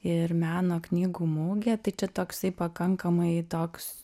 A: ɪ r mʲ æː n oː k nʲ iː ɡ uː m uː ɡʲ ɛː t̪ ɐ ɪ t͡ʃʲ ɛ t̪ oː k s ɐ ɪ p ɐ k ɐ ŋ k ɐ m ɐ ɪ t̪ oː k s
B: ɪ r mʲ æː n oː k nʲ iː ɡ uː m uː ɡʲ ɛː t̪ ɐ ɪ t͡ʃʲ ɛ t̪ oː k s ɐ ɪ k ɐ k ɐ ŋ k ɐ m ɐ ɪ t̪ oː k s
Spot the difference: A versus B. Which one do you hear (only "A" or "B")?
A